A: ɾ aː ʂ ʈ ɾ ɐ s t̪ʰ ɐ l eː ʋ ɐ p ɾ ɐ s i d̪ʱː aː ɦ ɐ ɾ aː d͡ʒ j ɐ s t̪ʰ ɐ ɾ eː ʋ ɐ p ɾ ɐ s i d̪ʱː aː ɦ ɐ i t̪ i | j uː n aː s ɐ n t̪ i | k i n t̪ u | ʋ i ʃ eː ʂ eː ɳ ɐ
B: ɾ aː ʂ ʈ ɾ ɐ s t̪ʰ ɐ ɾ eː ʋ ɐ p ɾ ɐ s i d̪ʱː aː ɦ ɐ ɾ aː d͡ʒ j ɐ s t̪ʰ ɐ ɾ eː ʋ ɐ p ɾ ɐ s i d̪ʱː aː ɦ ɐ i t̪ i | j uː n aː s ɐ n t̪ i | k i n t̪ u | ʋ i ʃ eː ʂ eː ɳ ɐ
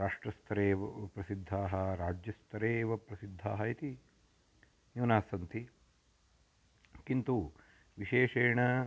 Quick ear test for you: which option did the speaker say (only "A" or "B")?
B